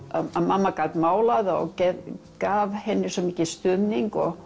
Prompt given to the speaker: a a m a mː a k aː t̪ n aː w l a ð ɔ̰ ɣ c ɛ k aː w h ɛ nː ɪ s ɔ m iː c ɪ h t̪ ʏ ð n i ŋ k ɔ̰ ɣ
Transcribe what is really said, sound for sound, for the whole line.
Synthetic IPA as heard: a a m a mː a k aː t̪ m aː w l a ð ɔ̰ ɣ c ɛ k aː v h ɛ nː ɪ s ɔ m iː c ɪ s t̪ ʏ ð n i ŋ k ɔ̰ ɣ